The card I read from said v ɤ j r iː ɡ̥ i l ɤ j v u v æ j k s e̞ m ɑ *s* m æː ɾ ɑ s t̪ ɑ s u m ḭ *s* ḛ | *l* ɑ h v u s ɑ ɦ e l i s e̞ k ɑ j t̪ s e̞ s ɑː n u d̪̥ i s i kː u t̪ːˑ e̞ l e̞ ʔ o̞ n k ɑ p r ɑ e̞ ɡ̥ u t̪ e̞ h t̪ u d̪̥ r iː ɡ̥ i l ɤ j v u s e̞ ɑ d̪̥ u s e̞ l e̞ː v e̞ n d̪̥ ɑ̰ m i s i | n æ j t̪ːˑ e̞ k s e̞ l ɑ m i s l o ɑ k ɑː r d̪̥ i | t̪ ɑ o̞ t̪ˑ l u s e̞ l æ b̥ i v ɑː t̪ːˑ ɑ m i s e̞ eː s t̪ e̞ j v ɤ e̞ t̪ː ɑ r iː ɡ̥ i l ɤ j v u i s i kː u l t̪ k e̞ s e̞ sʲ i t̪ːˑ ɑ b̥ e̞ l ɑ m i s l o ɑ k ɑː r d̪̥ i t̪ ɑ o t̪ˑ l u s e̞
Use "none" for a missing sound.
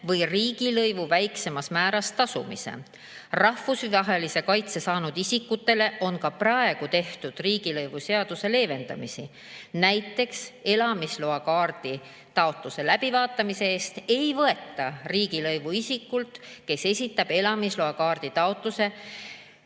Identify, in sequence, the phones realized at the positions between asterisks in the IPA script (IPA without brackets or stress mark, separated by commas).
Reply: s, s, r